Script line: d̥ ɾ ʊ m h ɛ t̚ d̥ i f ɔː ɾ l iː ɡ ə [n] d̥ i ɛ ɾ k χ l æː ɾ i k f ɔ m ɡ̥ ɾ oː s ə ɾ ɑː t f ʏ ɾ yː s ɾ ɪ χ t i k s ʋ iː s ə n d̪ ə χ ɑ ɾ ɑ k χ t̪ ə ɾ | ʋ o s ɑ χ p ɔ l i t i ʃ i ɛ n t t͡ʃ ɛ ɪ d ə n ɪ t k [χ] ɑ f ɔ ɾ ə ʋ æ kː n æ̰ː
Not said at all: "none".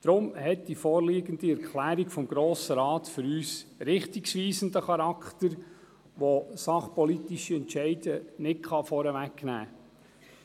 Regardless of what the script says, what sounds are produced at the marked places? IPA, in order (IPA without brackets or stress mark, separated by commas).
n, χ